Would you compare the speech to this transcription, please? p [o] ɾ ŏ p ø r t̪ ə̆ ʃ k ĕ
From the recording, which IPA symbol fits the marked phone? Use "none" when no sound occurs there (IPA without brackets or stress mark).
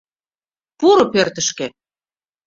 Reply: u